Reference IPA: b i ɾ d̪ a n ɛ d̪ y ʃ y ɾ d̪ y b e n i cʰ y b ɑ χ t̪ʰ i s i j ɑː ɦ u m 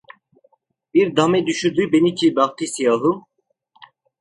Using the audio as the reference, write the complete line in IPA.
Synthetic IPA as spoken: b i ɾ d̪ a m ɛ d̪ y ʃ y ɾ d̪ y b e n i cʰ i b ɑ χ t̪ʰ i s i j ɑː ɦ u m